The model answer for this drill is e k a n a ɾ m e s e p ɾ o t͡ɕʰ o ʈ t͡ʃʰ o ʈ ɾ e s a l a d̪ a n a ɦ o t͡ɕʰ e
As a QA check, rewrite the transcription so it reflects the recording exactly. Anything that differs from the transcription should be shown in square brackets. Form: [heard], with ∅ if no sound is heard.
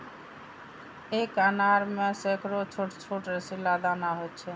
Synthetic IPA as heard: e k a n a ɾ m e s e [k] ɾ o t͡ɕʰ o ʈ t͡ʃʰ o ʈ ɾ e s [i] l a d̪ a n a ɦ o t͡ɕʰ e